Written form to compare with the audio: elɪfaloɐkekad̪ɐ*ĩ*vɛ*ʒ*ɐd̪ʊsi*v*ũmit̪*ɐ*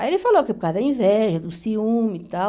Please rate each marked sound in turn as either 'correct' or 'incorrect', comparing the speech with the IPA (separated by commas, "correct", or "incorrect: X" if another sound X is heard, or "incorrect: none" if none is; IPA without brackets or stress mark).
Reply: correct, correct, incorrect: none, incorrect: a